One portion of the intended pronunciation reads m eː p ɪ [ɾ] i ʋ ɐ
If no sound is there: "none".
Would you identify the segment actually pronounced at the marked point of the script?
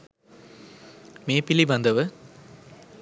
l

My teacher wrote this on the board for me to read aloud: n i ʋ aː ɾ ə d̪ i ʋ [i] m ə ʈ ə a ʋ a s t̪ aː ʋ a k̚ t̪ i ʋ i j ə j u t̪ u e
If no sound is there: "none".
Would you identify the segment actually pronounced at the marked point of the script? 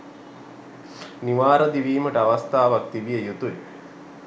iː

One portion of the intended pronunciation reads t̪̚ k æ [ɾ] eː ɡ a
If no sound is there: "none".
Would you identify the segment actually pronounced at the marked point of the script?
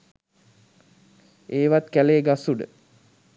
l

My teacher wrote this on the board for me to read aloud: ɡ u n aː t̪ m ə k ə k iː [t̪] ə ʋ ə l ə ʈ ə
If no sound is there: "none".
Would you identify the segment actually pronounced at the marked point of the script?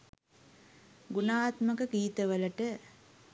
t̪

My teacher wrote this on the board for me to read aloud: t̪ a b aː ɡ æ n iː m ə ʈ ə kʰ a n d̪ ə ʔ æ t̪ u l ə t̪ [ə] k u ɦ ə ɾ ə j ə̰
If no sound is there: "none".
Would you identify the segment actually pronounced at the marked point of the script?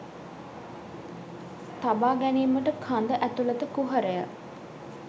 ə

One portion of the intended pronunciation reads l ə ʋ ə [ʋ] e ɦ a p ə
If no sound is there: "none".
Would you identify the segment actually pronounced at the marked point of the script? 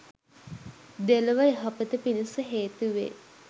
none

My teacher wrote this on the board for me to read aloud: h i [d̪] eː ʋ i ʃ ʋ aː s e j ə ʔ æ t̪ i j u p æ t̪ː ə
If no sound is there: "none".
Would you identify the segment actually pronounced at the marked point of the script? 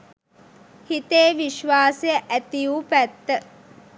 t̪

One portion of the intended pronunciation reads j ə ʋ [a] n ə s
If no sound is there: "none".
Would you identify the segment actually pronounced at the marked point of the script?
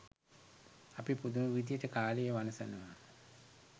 a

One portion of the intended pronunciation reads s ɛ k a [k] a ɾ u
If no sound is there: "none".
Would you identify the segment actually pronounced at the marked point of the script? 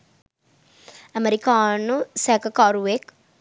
k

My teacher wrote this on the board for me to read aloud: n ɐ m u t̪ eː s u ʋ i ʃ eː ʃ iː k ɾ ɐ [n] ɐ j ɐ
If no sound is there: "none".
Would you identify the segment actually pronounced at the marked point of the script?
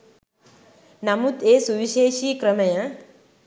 m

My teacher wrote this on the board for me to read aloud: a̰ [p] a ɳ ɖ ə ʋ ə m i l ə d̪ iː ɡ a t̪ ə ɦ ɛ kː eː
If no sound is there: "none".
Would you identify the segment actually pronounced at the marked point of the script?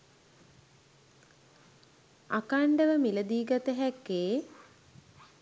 k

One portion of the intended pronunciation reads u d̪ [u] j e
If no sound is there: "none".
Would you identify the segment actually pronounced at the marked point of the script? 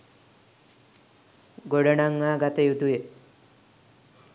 u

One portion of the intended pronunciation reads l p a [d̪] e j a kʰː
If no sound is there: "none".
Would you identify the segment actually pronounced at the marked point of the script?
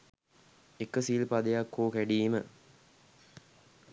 d̪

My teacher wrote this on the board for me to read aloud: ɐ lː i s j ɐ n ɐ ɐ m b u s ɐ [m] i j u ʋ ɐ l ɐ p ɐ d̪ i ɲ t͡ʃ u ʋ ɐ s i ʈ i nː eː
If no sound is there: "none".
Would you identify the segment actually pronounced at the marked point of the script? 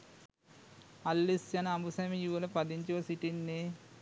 m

